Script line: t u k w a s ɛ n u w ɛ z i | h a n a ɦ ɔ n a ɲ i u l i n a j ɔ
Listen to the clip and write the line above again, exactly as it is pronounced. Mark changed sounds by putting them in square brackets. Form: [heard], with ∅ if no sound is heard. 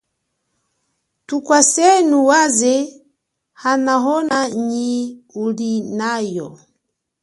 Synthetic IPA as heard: t u k w a s ɛ n u w [a] z [ɛ] | h a n a ɦ ɔ n a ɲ i u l i n a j ɔ